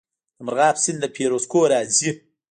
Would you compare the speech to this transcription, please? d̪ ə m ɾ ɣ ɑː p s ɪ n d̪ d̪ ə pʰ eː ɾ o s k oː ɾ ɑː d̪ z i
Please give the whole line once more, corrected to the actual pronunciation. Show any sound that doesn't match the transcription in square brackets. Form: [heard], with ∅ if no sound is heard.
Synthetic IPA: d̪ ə m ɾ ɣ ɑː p s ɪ n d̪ d̪ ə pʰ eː ɾ o s k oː ɾ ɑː [∅] z i